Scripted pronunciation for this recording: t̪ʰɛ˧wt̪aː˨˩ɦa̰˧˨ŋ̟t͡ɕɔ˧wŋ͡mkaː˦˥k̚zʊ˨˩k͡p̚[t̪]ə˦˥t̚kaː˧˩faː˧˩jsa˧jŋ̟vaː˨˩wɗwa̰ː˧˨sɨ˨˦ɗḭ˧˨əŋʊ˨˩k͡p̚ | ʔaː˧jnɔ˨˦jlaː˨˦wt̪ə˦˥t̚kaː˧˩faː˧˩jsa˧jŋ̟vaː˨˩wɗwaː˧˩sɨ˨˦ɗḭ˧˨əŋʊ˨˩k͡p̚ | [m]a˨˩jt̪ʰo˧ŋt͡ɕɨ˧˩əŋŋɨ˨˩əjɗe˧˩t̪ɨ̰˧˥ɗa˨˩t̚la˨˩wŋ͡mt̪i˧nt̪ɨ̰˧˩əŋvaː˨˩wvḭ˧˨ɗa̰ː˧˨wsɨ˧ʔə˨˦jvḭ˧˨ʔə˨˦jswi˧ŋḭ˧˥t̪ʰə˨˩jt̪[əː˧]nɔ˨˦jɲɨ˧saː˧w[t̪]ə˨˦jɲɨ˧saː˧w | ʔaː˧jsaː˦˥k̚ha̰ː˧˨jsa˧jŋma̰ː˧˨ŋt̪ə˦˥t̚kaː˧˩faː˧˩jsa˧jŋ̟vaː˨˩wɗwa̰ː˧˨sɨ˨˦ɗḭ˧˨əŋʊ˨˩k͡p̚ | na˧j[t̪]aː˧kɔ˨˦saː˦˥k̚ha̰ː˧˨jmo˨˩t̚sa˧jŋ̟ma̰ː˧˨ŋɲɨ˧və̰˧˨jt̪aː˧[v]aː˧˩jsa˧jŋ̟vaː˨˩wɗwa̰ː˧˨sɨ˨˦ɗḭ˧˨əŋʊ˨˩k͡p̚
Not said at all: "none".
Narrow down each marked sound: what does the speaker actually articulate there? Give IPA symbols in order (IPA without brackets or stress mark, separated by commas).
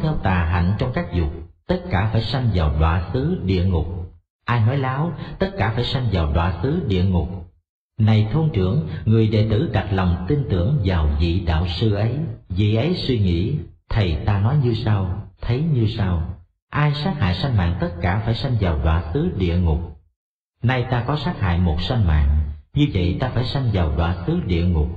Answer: t̪, n, aː˧, t̪ʰ, t̪, f